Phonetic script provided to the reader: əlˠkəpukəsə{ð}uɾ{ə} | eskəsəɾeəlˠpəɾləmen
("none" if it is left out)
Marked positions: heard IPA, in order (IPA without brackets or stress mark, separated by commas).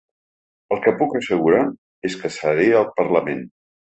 ɣ, a